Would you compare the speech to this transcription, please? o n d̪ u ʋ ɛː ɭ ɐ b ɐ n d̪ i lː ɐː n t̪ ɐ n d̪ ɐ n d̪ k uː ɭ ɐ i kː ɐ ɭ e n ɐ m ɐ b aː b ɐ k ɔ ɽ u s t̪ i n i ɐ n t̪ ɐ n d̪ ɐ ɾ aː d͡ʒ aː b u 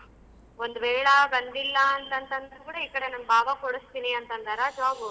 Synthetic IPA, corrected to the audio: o n d̪ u ʋ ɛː ɭ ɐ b ɐ n d̪ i lː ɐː n t̪ ɐ n t̪ ɐ n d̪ k uː ɽ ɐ i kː ɐ ɽ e n ɐ m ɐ b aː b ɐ k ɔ ɽ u s t̪ i n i ɐ n t̪ ɐ n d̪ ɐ ɾ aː d͡ʒ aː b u